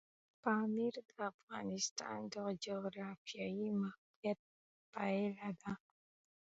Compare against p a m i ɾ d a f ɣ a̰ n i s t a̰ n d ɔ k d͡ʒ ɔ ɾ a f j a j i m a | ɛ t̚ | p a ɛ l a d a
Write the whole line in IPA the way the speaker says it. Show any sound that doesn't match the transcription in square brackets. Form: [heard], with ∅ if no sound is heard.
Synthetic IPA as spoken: p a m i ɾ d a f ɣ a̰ n i s t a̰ n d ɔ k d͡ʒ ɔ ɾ a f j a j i m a | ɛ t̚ | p a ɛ l a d a